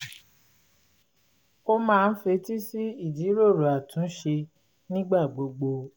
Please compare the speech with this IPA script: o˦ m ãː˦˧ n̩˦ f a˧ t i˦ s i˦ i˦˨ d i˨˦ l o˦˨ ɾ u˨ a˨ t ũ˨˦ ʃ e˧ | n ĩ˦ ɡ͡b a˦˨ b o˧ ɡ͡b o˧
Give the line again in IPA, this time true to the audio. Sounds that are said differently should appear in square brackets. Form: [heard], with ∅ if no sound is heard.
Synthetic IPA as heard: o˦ m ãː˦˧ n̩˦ f [e˧] t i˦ s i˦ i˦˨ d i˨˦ [ɾ] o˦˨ ɾ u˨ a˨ t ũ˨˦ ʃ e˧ | n ĩ˦ ɡ͡b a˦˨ [ɡ͡b] o˧ ɡ͡b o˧